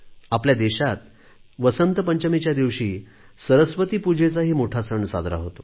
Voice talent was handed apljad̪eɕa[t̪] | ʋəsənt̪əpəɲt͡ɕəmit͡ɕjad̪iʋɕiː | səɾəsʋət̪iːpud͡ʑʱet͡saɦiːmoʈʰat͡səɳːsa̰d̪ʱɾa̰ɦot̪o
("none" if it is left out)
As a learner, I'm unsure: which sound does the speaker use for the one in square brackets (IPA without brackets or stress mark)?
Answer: t̪